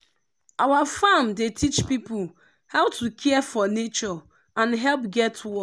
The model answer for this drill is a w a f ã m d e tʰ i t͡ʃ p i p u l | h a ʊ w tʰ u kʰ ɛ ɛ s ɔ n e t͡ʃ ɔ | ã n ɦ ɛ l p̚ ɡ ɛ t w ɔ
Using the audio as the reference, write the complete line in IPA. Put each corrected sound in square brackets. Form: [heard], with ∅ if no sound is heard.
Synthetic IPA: a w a f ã m d e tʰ i t͡ʃ p i p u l | h a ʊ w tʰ u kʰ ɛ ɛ [f] ɔ n e t͡ʃ ɔ | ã n ɦ ɛ l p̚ ɡ ɛ t w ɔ